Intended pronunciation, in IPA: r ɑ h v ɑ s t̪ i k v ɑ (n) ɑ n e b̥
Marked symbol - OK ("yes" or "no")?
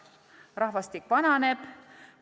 yes